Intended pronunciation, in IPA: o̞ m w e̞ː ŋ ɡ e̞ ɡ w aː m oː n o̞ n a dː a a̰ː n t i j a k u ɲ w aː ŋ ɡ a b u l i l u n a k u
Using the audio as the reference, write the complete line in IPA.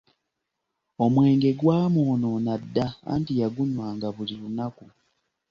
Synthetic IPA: o̞ m w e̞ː ŋ ɡ e̞ ɡ w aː m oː n o̞ n a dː a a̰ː n t i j a ɡ u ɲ w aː ŋ ɡ a β u l i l u n a k u